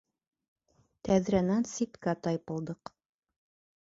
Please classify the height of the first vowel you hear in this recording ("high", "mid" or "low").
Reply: low